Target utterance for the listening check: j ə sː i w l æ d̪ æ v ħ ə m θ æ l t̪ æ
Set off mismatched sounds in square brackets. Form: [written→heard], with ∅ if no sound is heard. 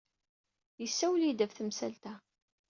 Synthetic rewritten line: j ə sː [i→æ] w l [æ→i] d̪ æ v [ħ→θ] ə m [θ→s] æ l t̪ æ